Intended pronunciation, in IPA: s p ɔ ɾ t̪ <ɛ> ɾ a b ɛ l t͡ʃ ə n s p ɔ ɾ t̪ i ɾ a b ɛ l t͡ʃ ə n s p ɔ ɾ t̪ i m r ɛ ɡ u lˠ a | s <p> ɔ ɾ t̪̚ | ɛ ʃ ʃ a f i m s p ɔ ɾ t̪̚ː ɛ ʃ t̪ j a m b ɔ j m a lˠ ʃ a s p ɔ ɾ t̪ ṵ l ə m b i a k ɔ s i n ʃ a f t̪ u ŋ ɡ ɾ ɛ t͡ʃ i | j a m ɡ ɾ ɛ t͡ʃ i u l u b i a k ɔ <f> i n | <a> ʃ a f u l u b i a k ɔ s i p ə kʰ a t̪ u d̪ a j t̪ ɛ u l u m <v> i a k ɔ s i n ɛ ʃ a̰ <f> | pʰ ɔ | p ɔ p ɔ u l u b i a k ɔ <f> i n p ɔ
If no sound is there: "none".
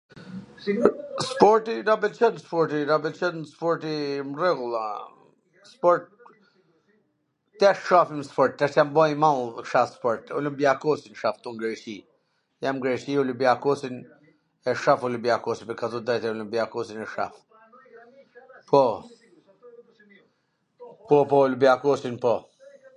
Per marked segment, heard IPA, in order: i, p, s, ɛ, b, f, s

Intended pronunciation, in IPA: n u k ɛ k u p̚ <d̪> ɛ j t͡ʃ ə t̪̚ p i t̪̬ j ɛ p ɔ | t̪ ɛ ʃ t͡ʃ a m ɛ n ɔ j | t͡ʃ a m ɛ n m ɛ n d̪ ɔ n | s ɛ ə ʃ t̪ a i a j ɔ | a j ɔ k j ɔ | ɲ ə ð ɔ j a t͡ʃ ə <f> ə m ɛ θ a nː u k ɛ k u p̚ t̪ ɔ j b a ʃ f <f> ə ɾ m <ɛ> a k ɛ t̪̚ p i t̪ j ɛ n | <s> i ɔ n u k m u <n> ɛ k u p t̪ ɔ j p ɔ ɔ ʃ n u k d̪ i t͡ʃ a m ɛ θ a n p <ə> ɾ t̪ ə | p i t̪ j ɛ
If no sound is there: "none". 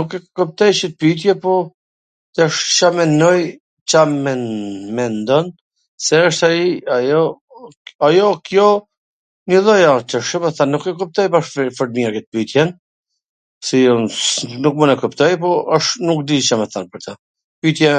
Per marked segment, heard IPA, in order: t̪, ʃ, f, i, s, n, ə

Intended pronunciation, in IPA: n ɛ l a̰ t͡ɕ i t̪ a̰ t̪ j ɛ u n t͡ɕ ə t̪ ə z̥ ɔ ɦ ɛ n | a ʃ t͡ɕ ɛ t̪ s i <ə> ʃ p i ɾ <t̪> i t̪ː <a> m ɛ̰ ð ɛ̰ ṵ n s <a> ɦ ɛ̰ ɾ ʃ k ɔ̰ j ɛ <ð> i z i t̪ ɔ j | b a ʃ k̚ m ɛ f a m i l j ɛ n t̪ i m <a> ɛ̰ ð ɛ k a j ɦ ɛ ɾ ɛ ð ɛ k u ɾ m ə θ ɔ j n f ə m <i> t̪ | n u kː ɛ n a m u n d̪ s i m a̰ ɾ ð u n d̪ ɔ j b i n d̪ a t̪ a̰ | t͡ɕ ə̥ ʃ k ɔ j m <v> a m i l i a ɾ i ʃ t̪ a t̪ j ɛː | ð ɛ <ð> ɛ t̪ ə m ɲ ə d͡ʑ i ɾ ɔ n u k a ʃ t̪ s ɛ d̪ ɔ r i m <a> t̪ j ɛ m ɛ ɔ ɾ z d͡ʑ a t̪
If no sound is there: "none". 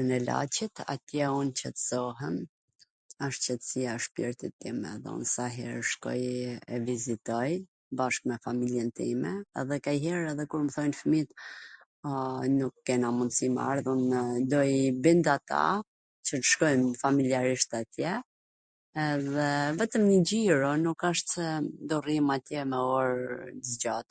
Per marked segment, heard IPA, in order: a, t̪, i, a, v, ɛ, i, f, v, a

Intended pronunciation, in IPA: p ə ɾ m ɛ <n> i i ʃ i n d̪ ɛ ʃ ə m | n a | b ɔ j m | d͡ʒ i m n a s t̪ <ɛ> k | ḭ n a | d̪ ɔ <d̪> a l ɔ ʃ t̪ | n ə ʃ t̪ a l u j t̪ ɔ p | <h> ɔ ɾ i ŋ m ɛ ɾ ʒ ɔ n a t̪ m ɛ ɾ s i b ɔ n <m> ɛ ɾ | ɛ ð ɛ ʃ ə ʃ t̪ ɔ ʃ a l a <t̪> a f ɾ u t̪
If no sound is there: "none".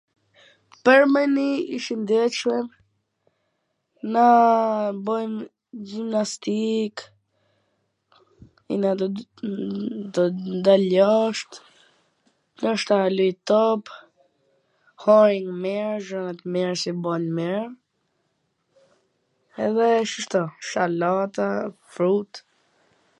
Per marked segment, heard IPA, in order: n, i, d̪, h, m, t̪

